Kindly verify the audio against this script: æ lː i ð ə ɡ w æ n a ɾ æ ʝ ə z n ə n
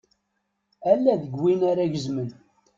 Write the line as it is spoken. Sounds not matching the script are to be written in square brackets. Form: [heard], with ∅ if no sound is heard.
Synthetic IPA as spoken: æ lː [æ] ð ə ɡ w [i] n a ɾ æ ʝ ə z [m] ə n